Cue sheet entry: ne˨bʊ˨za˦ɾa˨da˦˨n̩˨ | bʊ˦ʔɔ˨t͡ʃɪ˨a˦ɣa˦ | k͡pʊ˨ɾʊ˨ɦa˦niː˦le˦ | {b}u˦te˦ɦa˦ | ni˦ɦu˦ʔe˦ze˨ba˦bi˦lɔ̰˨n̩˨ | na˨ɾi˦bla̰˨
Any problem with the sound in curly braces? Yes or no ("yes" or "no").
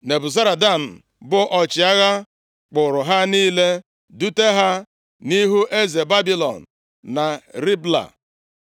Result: yes